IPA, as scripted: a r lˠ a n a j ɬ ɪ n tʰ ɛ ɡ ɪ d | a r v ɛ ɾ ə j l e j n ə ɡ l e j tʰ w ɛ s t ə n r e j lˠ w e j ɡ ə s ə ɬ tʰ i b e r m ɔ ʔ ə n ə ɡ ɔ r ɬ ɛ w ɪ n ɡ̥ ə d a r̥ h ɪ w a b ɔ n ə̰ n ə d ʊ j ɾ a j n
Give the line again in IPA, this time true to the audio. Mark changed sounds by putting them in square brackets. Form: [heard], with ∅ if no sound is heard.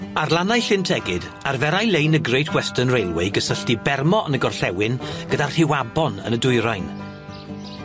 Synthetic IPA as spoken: a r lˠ a n a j ɬ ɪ n tʰ ɛ ɡ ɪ d | a r v ɛ ɾ [a] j l e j n ə ɡ [r] e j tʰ w ɛ s t ə n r e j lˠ w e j ɡ ə s ə ɬ [t] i b [ɛ] r m ɔ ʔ ə n ə ɡ ɔ r ɬ ɛ w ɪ n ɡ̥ ə d a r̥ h ɪ w a b ɔ n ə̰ n ə d ʊ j ɾ a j n

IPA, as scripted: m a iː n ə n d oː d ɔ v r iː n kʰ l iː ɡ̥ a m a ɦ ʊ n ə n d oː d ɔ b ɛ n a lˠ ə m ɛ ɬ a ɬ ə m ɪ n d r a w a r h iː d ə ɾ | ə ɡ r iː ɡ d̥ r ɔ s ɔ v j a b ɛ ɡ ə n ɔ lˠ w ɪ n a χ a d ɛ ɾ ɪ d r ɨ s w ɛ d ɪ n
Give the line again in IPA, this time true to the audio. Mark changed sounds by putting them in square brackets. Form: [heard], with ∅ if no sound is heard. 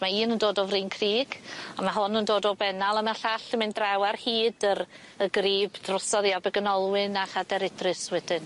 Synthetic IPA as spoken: m a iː n ə n d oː d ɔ v r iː n kʰ [r] iː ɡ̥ a m a ɦ ʊ n ə n d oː d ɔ b ɛ n a lˠ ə m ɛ ɬ a ɬ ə m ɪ n d r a w a r h iː d ə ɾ | ə ɡ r iː [b] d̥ r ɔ s ɔ [ð] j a b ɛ ɡ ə n ɔ lˠ w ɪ n a χ a d ɛ ɾ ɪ d r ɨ s w ɛ d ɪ n

